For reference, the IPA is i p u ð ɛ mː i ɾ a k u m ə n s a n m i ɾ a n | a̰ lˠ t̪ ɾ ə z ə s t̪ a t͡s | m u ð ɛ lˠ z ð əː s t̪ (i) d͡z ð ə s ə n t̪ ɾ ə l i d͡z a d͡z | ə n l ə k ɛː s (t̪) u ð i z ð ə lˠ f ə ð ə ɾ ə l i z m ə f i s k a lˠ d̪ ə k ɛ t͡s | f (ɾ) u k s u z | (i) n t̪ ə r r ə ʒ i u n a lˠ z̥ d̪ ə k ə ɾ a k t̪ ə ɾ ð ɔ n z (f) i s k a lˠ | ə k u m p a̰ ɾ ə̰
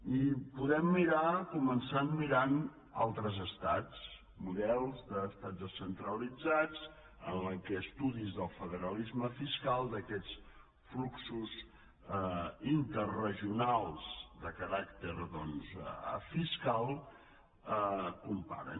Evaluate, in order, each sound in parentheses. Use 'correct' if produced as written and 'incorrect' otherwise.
incorrect, correct, incorrect, correct, correct

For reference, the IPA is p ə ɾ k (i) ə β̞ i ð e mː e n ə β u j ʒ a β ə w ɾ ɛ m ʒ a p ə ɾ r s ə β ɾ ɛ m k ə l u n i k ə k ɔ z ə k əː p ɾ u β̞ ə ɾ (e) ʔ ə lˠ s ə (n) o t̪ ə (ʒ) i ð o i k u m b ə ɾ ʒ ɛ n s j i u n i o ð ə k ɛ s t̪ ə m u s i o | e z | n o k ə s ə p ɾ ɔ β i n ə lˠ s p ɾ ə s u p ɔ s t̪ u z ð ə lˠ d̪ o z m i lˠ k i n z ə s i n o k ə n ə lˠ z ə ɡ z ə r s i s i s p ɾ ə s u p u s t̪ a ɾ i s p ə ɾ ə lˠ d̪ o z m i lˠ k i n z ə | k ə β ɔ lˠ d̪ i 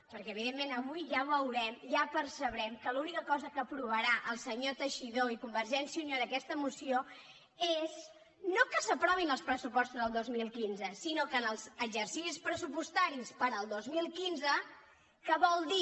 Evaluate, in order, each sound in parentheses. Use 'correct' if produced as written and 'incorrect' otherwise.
incorrect, incorrect, incorrect, incorrect

